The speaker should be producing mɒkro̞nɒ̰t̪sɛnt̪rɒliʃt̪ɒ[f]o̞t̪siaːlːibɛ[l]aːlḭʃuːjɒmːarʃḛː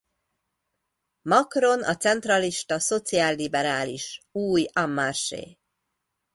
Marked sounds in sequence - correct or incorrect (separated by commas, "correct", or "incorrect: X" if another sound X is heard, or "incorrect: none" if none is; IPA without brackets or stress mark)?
incorrect: s, incorrect: ɾ